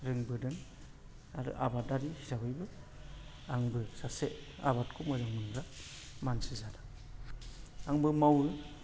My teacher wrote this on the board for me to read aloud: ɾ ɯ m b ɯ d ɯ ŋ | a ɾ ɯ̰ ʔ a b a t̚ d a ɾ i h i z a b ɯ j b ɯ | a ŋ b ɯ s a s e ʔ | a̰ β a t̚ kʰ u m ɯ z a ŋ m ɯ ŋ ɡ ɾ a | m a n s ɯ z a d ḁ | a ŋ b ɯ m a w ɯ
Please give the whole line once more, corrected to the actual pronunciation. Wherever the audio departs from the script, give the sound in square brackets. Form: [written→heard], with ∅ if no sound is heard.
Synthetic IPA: ɾ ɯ [m→ŋ] b ɯ d ɯ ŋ | a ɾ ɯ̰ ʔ a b a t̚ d a ɾ i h i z a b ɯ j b ɯ | a ŋ b ɯ s a s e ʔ | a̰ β a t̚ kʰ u m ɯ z a ŋ m ɯ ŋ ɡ ɾ a | m a n s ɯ z a d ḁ | a ŋ b ɯ m a w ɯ